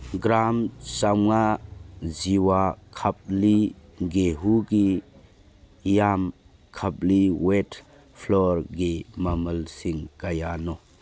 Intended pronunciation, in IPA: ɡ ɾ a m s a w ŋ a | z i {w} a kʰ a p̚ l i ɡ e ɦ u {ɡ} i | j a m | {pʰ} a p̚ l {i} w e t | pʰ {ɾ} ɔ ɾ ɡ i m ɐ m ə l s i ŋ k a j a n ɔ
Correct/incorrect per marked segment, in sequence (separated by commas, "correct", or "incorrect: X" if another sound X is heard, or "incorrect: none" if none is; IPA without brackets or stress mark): correct, correct, incorrect: kʰ, correct, incorrect: l